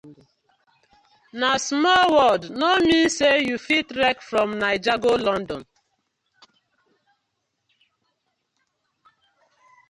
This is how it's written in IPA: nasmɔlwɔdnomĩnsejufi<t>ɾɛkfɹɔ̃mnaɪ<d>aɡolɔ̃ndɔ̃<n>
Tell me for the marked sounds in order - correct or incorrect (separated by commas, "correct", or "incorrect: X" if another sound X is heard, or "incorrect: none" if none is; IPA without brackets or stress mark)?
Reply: correct, incorrect: d͡ʒ, correct